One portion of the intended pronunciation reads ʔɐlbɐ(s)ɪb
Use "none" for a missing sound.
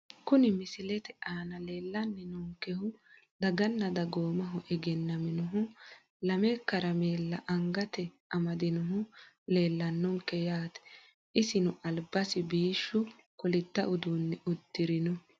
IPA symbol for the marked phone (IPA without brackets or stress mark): s